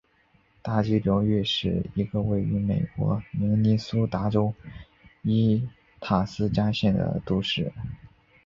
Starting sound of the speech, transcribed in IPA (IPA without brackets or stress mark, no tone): t̪